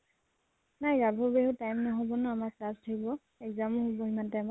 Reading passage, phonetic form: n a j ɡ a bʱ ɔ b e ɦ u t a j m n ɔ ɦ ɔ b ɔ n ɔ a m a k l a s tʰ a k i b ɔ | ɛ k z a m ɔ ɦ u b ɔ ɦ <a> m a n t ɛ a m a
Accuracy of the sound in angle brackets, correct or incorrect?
incorrect